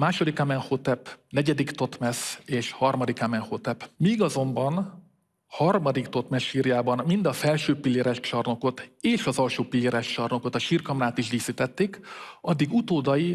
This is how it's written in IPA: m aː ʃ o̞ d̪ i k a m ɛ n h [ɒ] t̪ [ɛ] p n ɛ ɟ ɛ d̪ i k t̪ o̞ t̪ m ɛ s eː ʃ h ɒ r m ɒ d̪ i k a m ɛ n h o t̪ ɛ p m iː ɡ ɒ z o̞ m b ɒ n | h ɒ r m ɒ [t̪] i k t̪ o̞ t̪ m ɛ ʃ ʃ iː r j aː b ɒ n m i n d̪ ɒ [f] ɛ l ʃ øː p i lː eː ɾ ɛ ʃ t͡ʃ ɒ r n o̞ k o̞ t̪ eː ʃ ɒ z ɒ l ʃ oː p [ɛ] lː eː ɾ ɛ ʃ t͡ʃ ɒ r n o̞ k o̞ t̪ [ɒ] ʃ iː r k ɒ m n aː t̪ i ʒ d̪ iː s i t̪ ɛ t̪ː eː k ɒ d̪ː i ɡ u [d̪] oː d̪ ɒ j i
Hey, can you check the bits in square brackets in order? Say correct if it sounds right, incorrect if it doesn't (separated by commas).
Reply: incorrect, correct, incorrect, correct, incorrect, correct, incorrect